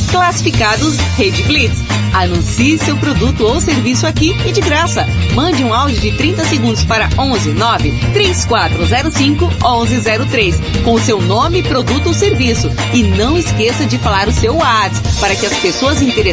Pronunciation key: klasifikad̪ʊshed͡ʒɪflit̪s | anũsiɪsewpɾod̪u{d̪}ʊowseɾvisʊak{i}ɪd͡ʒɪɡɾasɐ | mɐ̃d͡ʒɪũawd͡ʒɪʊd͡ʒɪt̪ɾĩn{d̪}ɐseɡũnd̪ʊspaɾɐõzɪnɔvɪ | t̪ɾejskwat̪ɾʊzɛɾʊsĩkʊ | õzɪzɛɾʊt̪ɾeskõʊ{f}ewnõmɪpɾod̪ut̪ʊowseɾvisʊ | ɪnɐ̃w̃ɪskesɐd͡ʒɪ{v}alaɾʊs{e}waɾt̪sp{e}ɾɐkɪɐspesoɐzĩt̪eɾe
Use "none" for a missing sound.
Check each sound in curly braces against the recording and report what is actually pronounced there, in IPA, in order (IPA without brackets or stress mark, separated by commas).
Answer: t̪, i, t̪, s, f, e, a